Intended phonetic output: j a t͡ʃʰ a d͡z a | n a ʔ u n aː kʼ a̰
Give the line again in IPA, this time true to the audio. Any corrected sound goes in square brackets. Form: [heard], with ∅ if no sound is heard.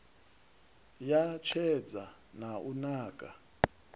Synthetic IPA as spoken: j a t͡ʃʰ [ɛ] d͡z a | n a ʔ u n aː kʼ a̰

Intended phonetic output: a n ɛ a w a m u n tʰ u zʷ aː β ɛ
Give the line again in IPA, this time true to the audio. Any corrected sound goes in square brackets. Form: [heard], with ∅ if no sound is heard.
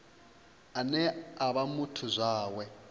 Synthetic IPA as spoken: a n ɛ a [β] a m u [∅] tʰ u zʷ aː [w] ɛ

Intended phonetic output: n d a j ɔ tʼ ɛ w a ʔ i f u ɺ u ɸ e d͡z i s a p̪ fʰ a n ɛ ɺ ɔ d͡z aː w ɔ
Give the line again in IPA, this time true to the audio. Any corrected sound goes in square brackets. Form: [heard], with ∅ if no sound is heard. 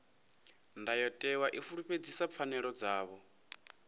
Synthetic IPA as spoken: n d a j ɔ tʼ ɛ w a ʔ i f u ɺ u ɸ e d͡z i s a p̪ fʰ a n ɛ ɺ ɔ d͡z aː [β] ɔ

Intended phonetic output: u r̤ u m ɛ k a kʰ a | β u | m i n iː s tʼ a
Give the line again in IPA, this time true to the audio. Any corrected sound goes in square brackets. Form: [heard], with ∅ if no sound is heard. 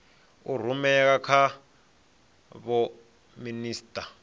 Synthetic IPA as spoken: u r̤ u m ɛ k a kʰ a | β [ɔ] | m i n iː s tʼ a

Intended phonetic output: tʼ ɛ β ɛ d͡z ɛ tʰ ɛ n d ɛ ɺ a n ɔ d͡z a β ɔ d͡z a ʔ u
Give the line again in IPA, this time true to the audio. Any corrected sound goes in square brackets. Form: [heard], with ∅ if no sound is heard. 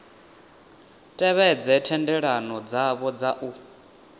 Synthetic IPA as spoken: tʼ ɛ β ɛ d͡z ɛ tʰ ɛ n d ɛ ɺ a n ɔ d͡z a β ɔ d͡z a ʔ u

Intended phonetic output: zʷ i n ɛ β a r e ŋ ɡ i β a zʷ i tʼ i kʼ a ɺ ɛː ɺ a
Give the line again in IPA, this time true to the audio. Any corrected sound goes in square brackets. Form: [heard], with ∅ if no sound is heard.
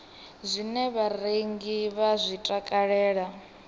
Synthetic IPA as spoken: zʷ i n ɛ β a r e ŋ ɡ i β a zʷ i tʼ [a] kʼ a ɺ ɛː ɺ a

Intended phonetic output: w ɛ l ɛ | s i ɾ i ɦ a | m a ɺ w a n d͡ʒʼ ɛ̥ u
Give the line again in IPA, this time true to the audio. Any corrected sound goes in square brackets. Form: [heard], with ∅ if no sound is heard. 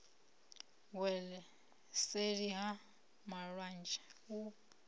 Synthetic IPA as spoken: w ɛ l ɛ | s [e] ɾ i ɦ a | m a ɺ w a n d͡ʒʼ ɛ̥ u

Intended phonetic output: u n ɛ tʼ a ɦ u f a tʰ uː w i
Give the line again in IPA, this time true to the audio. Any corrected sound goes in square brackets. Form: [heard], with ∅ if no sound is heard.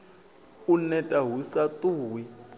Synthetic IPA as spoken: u n ɛ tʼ a ɦ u [s] a [t] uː w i

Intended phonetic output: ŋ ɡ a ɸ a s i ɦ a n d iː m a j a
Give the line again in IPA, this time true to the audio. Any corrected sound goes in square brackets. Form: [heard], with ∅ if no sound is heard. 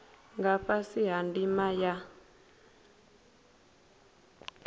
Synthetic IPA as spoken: ŋ ɡ a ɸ a s i ɦ a n d [i] m a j a

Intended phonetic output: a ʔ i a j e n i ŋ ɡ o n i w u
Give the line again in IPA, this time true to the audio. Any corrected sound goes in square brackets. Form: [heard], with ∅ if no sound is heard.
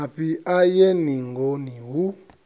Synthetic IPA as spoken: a [p] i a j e n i ŋ ɡ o n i w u

